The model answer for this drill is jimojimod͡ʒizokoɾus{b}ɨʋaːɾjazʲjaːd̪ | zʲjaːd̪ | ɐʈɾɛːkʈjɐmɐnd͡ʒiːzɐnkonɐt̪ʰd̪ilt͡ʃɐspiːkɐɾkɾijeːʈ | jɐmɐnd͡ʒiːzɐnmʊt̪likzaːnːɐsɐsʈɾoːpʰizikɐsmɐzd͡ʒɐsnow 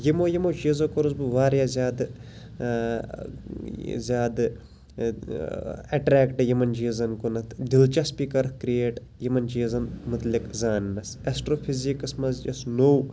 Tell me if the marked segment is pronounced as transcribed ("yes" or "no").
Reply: yes